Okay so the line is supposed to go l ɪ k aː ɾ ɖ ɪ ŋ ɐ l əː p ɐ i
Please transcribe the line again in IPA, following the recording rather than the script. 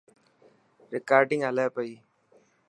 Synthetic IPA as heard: ɾ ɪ k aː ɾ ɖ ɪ ŋ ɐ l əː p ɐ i

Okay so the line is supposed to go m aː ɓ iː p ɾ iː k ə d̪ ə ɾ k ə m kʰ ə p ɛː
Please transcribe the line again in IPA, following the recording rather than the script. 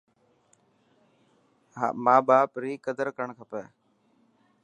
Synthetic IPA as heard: m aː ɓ aː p ɾ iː k ə d̪ ə ɾ k ə ɳ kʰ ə p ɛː

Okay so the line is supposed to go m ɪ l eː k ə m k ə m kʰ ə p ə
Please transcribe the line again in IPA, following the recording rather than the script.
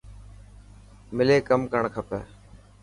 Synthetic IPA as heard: m ɪ l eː k ə m k ə ɳ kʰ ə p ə

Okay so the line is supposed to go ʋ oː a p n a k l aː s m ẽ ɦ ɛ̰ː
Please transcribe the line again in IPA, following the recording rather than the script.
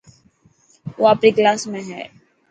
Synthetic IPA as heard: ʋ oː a p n i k l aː s m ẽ ɦ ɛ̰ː

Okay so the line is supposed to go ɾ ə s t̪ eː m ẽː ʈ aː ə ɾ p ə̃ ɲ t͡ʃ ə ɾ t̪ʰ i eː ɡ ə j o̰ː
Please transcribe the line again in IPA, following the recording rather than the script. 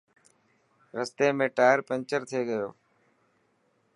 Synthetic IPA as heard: ɾ ə s t̪ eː m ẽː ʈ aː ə ɾ p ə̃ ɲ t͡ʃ ə ɾ t̪ʰ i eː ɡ ə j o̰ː

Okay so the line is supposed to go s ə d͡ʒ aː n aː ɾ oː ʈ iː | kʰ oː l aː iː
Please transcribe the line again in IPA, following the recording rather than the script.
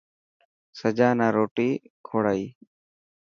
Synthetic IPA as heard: s ə d͡ʒ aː n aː ɾ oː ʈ iː | kʰ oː ɽ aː iː

